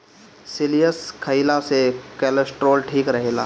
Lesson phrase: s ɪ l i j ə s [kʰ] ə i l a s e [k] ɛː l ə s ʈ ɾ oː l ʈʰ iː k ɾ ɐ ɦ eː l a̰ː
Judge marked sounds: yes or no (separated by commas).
yes, yes